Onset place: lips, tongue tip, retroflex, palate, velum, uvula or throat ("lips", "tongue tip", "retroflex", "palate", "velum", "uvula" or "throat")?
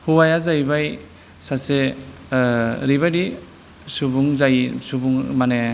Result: throat